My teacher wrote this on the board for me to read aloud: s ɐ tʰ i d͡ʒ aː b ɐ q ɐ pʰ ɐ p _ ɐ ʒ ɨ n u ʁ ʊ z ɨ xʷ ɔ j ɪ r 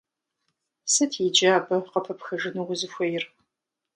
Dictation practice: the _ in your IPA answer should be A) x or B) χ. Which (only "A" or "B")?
A